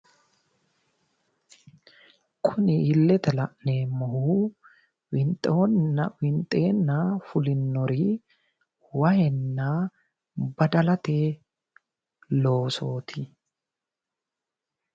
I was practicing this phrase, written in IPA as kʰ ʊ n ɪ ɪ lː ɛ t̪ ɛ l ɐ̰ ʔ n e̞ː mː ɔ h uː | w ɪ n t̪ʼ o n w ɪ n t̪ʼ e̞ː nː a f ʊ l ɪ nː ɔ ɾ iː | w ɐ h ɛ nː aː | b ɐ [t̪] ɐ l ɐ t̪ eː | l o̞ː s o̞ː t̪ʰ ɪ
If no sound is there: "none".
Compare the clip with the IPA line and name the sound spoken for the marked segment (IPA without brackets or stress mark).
d̪